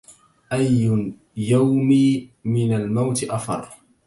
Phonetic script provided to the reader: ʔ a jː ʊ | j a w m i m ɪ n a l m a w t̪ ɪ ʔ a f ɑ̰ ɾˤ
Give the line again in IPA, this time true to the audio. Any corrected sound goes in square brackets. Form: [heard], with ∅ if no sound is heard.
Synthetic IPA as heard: ʔ a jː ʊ | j a w m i m ɪ n a l m a w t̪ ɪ ʔ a f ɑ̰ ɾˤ